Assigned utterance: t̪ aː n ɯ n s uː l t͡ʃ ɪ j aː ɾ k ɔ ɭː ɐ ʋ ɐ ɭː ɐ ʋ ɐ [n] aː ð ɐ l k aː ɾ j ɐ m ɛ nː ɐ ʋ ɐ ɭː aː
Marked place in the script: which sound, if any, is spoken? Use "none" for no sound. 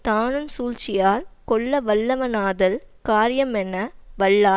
n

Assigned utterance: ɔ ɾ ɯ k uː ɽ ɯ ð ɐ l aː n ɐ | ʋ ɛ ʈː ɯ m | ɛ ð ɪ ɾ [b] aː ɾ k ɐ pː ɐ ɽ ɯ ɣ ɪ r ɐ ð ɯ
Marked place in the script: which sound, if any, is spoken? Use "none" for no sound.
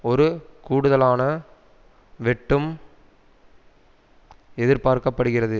p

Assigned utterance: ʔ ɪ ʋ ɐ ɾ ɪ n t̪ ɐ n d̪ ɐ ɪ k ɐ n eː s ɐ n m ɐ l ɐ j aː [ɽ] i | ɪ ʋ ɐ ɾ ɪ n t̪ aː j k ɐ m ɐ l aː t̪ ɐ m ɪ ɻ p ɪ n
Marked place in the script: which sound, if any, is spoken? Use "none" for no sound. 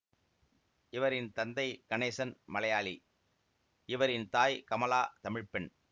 l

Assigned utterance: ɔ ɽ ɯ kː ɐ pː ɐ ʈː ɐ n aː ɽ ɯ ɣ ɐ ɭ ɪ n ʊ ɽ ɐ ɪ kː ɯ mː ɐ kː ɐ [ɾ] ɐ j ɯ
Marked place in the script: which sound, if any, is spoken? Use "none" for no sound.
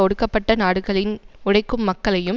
ɭ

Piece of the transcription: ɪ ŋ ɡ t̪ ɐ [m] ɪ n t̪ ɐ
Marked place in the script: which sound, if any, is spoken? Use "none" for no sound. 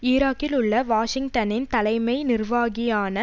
n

